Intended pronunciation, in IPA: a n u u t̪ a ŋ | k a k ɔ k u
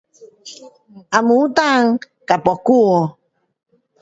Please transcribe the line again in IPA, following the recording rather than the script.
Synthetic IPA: a m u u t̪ a ŋ | k a p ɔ k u